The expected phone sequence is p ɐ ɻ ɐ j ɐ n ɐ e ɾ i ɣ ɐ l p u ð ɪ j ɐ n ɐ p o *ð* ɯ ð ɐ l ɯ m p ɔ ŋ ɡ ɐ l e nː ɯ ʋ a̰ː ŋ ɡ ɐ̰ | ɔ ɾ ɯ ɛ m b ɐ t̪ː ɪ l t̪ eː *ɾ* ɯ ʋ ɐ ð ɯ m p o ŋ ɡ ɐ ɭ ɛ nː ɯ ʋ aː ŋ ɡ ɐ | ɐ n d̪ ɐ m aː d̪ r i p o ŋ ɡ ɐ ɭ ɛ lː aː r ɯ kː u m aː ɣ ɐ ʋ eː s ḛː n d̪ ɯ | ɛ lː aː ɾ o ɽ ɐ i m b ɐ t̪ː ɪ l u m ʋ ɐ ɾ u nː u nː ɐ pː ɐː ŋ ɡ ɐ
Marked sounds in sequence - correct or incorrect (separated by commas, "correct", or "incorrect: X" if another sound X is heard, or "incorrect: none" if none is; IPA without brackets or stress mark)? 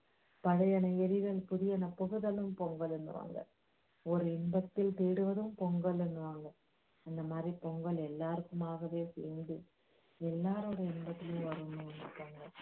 incorrect: ɣ, incorrect: ɽ